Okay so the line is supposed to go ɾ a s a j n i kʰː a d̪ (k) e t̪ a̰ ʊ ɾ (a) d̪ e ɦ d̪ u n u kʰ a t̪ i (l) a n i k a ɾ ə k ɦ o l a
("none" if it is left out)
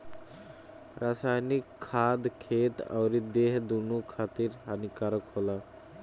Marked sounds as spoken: kʰ, i, ɾ

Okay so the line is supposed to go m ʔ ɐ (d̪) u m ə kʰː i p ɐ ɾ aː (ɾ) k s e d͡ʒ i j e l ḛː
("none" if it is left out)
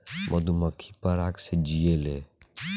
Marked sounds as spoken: d̪, none

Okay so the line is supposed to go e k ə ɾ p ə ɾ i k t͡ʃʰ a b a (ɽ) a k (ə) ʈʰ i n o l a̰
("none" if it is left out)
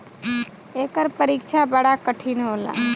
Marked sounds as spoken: ɽ, ə

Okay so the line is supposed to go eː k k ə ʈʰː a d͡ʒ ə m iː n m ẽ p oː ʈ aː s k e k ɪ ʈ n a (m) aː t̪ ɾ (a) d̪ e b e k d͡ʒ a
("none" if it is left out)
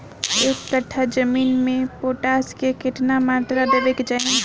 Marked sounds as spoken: m, a

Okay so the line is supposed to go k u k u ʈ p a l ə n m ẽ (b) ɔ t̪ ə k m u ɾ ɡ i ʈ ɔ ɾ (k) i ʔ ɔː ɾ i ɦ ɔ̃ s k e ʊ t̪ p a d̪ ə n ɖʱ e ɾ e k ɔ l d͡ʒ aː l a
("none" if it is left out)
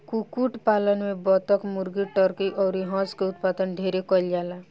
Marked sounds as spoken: b, k

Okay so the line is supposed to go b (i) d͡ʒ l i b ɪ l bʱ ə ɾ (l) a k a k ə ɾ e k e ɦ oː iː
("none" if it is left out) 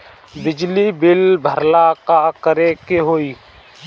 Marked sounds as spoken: ɪ, l

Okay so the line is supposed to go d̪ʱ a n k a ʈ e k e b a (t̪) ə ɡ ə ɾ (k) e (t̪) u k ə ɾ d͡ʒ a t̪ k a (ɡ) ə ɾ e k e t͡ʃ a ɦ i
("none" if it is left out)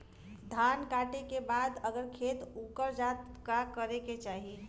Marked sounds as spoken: d̪, kʰ, t̪, k

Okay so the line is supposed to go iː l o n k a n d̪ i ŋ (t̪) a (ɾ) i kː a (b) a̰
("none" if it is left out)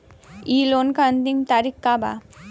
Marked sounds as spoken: t̪, ɾ, b

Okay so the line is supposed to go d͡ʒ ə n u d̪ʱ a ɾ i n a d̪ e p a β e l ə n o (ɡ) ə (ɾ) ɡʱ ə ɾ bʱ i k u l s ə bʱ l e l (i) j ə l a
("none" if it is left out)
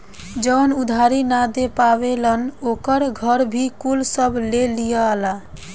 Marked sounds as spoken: k, ɾ, i

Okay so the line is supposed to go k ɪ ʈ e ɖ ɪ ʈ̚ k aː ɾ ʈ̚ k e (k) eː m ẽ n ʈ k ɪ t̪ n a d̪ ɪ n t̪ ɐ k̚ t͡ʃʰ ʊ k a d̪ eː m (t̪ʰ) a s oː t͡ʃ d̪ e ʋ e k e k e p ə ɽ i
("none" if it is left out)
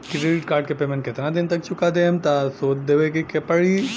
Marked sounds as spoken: p, t̪

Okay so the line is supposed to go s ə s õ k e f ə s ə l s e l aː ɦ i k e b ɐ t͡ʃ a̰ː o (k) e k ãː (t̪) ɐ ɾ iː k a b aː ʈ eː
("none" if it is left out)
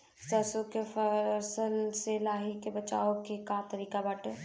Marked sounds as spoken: k, t̪

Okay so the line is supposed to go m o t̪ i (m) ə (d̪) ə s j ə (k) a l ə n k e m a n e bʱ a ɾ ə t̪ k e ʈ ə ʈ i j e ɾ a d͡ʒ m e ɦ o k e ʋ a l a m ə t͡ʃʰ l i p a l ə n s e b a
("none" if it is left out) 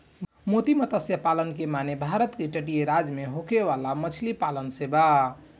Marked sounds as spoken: m, t̪, p

